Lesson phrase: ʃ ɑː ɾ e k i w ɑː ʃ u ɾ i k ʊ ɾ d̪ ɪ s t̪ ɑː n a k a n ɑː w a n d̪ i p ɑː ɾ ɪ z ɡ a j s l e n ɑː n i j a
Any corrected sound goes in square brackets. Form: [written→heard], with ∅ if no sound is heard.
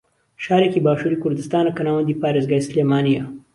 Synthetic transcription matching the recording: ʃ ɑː ɾ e k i [w→b] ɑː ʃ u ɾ i k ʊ ɾ d̪ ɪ s t̪ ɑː n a k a n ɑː w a n d̪ i p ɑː ɾ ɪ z ɡ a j s l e [n→m] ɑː n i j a